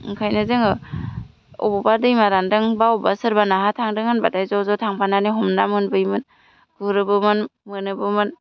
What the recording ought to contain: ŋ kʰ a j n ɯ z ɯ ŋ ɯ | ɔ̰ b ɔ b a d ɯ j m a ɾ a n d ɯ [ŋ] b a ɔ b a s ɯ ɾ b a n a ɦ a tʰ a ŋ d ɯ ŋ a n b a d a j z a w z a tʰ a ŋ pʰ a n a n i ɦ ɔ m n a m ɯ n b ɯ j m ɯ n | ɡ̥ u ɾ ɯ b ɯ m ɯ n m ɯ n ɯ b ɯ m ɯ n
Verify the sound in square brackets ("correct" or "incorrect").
correct